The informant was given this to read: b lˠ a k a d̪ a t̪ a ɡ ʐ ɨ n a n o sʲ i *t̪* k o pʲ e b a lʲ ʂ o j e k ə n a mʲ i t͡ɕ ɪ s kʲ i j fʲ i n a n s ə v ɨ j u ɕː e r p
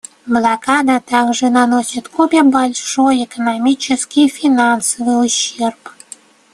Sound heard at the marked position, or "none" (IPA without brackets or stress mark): t̪